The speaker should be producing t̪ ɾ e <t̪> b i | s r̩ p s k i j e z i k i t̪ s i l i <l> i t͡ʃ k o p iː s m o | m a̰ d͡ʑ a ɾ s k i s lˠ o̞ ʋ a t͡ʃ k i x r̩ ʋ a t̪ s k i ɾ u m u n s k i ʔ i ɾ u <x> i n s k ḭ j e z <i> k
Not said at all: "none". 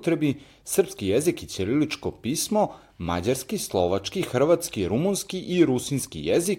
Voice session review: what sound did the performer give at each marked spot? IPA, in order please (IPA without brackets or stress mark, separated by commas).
none, l, s, i